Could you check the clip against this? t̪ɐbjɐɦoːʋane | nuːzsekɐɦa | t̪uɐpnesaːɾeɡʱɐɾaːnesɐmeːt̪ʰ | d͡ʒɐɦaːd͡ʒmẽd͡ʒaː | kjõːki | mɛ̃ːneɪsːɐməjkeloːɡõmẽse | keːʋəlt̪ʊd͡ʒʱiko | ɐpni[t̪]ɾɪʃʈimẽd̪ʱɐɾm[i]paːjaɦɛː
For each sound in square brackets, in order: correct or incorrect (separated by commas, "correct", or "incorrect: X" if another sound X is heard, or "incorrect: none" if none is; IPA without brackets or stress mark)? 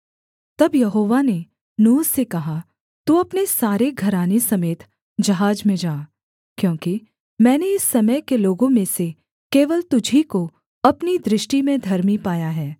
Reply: incorrect: d̪, correct